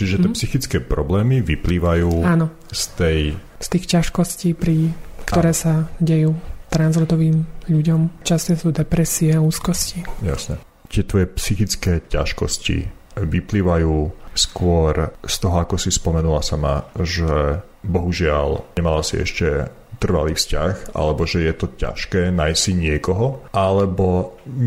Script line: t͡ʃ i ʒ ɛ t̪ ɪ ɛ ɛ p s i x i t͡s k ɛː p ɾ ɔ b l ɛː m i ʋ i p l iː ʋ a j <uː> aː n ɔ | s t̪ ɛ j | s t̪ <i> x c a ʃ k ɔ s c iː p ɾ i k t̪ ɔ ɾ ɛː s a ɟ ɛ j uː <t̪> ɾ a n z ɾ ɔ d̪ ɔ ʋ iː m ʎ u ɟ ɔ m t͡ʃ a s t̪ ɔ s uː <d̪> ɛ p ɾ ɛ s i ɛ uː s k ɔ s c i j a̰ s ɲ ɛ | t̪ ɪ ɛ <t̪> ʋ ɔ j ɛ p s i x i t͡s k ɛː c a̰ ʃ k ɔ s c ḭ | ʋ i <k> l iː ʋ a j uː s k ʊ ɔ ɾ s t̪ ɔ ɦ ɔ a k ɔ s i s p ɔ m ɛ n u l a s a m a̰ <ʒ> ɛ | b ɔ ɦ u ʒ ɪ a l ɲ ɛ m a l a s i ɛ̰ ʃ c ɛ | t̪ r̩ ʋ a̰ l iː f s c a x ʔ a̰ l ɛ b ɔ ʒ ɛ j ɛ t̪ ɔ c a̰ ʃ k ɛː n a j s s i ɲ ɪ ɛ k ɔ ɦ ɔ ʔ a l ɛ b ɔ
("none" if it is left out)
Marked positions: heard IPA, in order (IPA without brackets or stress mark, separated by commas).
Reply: uː, iː, t̪, d̪, t̪, p, ʒ